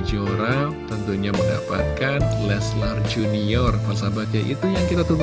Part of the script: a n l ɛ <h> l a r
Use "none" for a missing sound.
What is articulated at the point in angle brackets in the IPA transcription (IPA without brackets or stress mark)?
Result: s